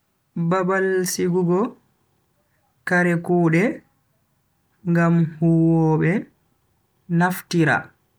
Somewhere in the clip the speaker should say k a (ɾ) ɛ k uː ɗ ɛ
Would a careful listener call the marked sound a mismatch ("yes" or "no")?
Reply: no